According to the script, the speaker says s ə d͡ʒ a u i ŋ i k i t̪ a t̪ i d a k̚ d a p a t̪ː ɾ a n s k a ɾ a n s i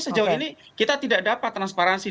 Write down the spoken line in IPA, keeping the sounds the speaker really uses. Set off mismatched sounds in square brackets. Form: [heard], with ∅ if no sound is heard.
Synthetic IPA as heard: s ə d͡ʒ a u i [n] i k i t̪ a t̪ i d a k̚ d a p a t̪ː ɾ a n s [p] a ɾ a n s i